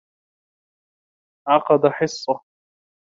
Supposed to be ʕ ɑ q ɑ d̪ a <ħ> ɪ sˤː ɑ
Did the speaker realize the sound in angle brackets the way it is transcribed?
yes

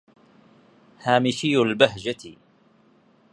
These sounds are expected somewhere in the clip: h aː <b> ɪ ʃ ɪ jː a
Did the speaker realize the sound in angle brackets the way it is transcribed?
no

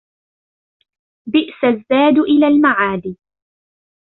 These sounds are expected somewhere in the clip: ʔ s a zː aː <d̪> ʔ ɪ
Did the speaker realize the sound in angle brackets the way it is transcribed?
yes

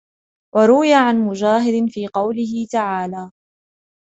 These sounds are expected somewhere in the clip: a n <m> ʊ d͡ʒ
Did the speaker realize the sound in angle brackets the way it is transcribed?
yes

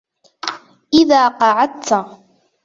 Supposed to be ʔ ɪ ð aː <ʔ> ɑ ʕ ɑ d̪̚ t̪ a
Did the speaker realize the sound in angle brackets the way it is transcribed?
no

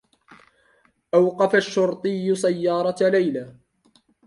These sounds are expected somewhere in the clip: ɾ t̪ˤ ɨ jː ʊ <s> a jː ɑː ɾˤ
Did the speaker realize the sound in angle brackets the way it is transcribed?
yes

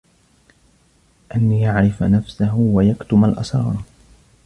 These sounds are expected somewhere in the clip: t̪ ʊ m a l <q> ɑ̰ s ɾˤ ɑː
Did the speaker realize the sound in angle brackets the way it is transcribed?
no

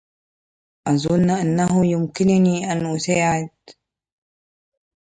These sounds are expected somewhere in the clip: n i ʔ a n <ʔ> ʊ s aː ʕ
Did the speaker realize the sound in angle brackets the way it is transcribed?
yes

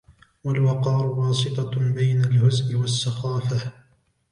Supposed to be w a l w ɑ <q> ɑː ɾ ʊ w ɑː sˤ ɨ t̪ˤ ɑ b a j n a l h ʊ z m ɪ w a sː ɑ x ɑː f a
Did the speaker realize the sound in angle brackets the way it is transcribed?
yes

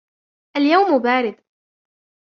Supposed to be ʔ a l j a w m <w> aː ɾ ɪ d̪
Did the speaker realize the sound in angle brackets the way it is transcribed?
no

